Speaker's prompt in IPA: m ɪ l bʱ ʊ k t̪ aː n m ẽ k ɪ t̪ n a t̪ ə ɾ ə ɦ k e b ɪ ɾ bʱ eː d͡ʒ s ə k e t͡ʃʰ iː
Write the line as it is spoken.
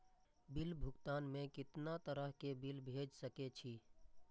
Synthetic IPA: b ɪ l bʱ ʊ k t̪ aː n m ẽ k ɪ t̪ n a t̪ ə ɾ ə ɦ k e b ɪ l bʱ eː d͡ʒ s ə k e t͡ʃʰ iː